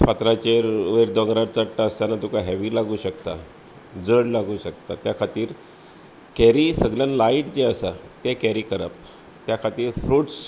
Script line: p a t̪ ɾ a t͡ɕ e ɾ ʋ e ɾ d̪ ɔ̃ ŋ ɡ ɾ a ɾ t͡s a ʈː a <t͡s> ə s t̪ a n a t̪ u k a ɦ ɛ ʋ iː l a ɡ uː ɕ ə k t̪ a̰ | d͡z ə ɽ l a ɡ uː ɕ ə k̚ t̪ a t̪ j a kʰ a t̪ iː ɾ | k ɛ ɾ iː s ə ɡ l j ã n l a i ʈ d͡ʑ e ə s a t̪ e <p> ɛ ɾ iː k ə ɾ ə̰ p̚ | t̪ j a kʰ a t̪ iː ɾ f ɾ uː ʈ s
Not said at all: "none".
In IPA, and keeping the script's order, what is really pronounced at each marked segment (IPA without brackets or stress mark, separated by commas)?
none, k